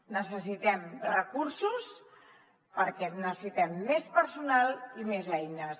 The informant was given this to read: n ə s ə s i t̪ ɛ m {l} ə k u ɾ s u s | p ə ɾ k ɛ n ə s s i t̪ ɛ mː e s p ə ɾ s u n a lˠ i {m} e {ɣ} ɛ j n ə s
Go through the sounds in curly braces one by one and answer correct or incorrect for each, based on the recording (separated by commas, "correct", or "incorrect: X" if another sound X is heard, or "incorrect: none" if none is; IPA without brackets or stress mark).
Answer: incorrect: r, correct, incorrect: z